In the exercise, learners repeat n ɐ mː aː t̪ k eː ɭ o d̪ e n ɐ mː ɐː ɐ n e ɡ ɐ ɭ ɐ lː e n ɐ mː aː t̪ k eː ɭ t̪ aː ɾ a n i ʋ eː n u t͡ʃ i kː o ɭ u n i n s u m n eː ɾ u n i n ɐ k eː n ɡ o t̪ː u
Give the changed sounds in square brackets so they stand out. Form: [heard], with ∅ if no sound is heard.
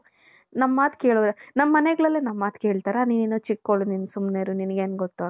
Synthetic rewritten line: n ɐ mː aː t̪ k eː ɭ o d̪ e n ɐ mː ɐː ɐ n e ɡ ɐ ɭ ɐ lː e n ɐ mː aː t̪ k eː ɭ t̪ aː ɾ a n i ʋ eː n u t͡ʃ i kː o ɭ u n i n s u m n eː ɾ u n i n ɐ [ɡ] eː n ɡ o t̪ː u